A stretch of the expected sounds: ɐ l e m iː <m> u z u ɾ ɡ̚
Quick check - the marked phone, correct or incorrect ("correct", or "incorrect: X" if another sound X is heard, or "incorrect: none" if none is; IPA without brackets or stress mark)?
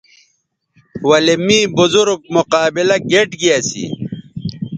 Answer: incorrect: b